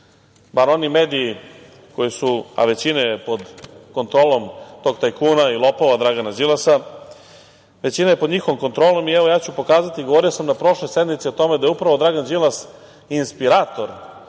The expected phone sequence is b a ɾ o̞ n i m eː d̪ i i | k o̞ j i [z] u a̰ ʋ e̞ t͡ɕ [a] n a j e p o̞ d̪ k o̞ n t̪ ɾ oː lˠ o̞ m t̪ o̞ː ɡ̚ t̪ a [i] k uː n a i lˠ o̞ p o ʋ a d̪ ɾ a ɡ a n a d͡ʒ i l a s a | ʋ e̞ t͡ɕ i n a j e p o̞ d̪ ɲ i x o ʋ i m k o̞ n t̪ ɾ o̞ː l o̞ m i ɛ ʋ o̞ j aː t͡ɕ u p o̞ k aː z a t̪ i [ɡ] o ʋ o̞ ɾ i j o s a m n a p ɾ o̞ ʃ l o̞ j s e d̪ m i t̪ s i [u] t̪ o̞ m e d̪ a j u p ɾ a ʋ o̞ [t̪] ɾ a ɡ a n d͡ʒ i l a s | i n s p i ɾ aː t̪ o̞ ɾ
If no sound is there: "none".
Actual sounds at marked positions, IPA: s, i, j, ɡ, o, d̪

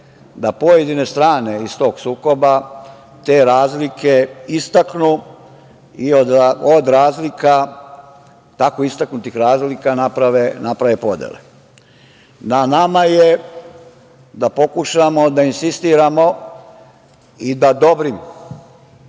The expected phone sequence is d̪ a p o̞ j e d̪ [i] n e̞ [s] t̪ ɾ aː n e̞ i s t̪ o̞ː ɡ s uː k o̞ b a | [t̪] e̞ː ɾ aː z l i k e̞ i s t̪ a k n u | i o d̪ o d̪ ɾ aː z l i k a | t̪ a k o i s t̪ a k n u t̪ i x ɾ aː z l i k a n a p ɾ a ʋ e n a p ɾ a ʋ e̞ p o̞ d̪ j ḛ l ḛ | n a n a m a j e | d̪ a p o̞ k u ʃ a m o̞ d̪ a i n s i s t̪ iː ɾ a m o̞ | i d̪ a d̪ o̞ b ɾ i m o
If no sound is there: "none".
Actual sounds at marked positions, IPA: i, s, t̪

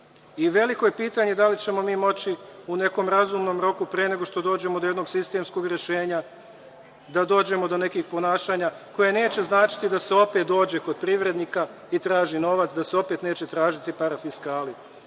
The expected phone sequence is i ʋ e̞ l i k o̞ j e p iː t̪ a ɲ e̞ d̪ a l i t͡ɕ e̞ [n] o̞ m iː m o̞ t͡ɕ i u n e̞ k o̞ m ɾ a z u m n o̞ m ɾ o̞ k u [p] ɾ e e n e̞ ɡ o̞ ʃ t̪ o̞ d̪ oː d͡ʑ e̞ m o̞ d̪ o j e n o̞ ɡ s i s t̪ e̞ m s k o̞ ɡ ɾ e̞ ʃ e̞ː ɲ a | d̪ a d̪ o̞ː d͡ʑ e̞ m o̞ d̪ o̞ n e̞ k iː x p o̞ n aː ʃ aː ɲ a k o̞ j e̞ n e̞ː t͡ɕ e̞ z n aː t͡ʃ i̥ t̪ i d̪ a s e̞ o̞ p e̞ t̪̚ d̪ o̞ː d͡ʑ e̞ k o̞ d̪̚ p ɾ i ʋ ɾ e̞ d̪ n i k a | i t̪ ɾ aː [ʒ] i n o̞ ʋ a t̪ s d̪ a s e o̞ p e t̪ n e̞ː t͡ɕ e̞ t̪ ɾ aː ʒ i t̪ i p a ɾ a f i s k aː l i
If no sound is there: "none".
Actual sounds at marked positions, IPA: m, p, ʒ

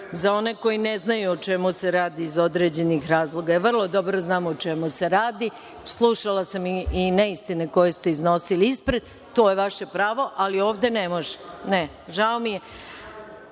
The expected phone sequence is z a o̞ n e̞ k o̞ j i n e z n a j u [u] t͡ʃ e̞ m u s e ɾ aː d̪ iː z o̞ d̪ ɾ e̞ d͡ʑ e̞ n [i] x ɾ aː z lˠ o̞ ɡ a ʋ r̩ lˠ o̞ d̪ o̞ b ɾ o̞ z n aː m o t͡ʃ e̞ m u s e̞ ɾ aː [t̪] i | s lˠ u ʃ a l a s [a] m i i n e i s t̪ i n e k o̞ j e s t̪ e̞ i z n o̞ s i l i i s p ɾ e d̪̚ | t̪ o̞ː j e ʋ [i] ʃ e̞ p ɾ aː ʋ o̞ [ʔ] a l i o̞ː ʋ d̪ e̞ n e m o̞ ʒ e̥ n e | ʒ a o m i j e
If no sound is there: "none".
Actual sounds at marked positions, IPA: o, i, d̪, a, a, ʔ

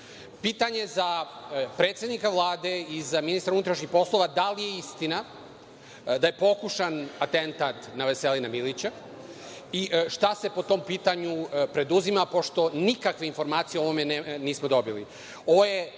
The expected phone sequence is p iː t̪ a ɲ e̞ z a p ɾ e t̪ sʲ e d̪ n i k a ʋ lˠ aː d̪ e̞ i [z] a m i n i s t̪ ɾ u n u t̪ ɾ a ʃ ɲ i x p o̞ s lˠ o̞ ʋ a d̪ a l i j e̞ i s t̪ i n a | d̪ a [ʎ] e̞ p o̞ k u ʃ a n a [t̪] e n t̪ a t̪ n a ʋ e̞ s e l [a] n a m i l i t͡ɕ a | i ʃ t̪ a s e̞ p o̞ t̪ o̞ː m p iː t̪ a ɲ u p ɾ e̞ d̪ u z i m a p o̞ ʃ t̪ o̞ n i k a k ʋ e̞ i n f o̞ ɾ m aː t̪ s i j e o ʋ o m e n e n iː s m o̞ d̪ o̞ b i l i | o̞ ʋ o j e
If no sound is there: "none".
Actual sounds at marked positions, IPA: z, j, t̪, i

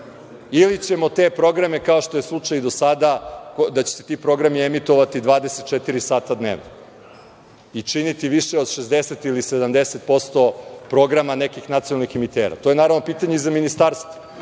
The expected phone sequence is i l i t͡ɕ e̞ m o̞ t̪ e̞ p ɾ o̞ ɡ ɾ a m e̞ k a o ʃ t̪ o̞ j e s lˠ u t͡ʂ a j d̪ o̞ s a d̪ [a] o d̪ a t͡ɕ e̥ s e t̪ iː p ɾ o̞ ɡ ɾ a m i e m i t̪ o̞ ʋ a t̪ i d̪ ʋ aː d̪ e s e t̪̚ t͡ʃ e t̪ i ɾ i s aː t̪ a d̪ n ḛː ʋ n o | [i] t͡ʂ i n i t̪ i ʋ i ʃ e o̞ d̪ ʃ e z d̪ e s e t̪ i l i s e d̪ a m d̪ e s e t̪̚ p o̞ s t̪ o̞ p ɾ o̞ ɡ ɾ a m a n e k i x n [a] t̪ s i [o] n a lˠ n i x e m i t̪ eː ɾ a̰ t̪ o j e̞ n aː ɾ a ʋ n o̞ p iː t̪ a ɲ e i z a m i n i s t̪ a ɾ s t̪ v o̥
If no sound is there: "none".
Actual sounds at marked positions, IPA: a, i, a, o

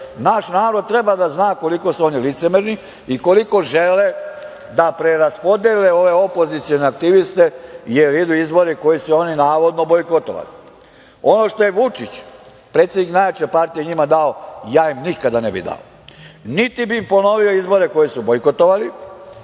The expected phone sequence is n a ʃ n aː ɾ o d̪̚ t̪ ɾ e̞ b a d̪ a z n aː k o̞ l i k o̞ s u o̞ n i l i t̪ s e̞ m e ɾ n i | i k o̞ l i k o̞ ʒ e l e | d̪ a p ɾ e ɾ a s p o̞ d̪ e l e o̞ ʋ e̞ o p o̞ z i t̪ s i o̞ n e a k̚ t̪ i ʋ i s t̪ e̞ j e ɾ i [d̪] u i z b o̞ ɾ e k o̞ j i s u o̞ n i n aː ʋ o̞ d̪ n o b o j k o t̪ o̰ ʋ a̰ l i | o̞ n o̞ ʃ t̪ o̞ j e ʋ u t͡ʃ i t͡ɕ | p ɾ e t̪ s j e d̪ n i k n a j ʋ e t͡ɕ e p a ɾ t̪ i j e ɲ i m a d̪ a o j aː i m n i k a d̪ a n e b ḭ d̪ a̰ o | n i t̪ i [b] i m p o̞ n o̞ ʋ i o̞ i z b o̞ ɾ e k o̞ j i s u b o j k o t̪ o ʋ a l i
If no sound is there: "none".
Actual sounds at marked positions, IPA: d̪, b

